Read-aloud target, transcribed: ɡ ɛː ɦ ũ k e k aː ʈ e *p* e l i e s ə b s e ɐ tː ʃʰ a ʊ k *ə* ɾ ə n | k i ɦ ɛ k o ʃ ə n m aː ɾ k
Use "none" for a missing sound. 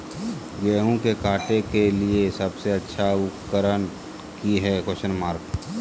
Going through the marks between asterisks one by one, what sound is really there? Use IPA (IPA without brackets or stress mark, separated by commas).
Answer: k, ə